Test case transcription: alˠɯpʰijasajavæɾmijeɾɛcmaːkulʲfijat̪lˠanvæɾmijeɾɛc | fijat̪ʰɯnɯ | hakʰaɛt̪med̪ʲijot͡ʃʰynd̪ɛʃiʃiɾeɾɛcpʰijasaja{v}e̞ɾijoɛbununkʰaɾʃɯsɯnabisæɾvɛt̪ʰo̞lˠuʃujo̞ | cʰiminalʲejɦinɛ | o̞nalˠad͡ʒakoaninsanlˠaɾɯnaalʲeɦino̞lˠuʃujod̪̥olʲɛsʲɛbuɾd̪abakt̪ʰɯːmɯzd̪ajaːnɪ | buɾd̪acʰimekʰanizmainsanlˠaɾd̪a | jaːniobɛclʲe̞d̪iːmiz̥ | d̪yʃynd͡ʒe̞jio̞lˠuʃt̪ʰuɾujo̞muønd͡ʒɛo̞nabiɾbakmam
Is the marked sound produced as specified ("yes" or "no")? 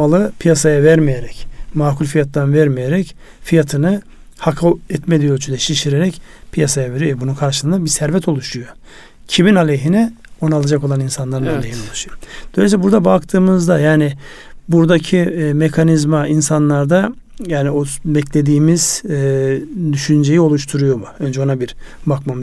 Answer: yes